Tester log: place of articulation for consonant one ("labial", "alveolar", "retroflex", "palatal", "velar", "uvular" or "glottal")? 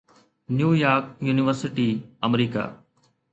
alveolar